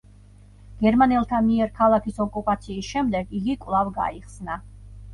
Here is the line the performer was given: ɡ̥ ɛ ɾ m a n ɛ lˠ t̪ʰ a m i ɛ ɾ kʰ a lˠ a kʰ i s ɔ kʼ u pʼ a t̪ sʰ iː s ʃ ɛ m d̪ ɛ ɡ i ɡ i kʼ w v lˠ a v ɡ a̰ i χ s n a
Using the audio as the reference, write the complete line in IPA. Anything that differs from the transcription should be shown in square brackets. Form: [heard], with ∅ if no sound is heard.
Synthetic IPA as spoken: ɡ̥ ɛ ɾ m a n ɛ lˠ t̪ʰ a m i ɛ ɾ kʰ a lˠ a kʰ i s ɔ kʼ u pʼ a t̪ sʰ iː s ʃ ɛ m d̪ ɛ ɡ i ɡ i kʼ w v lˠ a v ɡ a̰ i χ s n a